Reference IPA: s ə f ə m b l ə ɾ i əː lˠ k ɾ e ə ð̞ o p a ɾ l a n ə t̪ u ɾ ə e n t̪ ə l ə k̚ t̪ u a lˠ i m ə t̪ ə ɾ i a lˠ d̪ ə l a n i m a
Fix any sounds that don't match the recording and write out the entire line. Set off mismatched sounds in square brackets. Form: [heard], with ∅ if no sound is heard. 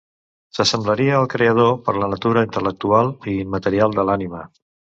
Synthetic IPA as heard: s ə [s] ə m b l ə ɾ i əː lˠ k ɾ e ə ð̞ o p [ə] ɾ l [ə] n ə t̪ u ɾ ə [i] n t̪ ə l ə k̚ t̪ u a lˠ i m ə t̪ ə ɾ i a lˠ d̪ ə l a n i m [ə]

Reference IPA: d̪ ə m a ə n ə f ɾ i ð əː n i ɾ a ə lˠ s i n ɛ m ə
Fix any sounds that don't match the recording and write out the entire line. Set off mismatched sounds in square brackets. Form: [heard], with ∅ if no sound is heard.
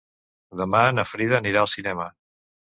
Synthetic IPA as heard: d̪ ə m a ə n ə f ɾ i ð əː n i ɾ a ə lˠ s i n ɛ m ə

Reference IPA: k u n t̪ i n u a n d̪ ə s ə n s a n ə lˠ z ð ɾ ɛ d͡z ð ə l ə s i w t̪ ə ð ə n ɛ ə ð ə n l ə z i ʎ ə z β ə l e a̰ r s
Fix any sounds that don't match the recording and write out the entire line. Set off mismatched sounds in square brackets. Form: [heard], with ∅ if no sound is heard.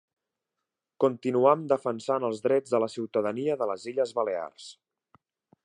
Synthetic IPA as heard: k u n t̪ i n u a [m] d̪ ə [f] ə n s a n ə lˠ z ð ɾ ɛ d͡z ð ə l ə s i w t̪ ə ð ə n [i] ə ð ə [∅] l ə z i ʎ ə z β ə l e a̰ r s

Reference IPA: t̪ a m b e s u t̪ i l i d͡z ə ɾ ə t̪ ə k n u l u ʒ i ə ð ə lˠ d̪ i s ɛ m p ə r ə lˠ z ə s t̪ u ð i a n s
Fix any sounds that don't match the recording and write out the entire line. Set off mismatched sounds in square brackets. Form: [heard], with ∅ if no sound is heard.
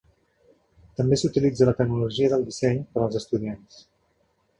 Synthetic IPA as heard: t̪ [ə] m b e s u t̪ i l i d͡z ə [l] ə t̪ ə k n u l u ʒ i ə ð ə lˠ d̪ i s ɛ [ɲ] p ə [ɾ] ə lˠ z ə s t̪ u ð i a n s

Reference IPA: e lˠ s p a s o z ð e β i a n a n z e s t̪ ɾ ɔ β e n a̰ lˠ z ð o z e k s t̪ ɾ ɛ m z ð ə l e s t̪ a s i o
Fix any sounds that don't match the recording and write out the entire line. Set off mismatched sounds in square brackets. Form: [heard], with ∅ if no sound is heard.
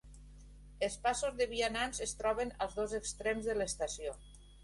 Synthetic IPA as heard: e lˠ s p a s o z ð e β i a n a n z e s t̪ ɾ ɔ β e n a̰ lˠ z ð o z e k s t̪ ɾ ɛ m z ð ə l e s t̪ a s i o

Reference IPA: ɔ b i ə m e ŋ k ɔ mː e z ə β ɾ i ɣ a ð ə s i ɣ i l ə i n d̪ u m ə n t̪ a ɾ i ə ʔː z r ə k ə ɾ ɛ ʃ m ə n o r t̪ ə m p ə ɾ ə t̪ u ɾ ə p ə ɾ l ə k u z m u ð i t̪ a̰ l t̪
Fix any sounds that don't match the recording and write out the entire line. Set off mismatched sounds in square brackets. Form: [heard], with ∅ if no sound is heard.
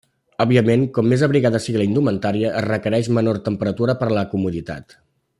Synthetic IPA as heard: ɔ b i ə m e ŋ k ɔ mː e z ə β ɾ i ɣ a ð ə s i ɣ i l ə i n d̪ u m ə n t̪ a ɾ i ə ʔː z r ə k ə ɾ ɛ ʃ m ə n o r t̪ ə m p ə ɾ ə t̪ u ɾ ə p ə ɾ l ə k u [∅] m u ð i t̪ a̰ [∅] t̪

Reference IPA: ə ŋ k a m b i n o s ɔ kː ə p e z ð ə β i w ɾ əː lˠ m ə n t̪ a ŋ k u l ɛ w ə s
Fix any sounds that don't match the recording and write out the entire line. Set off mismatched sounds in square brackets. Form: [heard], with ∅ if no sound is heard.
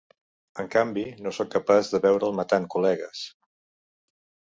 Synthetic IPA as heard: ə ŋ k a m b i n o s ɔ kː ə p [a] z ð ə β [ɛ] w ɾ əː lˠ m ə [∅] t̪ a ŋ k u l ɛ [ɣ] ə s

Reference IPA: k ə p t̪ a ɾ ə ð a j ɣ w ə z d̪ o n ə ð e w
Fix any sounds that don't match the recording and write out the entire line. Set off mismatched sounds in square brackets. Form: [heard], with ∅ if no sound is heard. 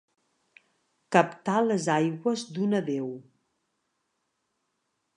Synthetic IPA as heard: k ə p t̪ a [l] ə [z] a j ɣ w ə z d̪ [u] n ə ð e w

